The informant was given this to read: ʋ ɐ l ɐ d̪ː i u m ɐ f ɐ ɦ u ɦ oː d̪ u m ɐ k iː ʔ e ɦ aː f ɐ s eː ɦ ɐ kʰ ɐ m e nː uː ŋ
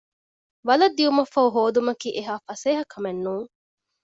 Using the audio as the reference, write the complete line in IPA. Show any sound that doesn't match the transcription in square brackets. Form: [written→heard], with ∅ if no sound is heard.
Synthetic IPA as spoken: ʋ ɐ l ɐ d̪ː i u m ɐ f ɐ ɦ u ɦ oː d̪ u m ɐ k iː ʔ e ɦ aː f ɐ s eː ɦ ɐ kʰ ɐ m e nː uː ŋ